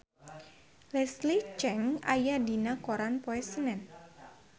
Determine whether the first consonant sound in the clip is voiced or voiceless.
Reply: voiced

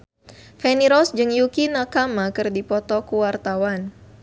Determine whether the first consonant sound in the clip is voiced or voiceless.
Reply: voiceless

